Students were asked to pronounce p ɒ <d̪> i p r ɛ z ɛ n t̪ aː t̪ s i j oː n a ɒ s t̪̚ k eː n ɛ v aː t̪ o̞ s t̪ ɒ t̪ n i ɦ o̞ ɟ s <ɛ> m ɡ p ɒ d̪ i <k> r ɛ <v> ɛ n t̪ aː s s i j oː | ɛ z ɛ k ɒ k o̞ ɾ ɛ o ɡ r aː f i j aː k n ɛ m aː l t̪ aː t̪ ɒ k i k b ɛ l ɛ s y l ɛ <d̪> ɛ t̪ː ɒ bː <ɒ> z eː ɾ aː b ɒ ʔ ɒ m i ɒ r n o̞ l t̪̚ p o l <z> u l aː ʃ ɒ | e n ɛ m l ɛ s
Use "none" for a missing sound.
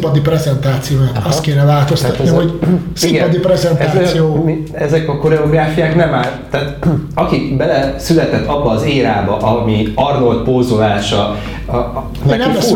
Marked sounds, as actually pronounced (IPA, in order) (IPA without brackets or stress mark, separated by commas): d̪, i, p, z, t̪, ɒː, z